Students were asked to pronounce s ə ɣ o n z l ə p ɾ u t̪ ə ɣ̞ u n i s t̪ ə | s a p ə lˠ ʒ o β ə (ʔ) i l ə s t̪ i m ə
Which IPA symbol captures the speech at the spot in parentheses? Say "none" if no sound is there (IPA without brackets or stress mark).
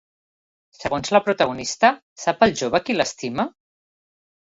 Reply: k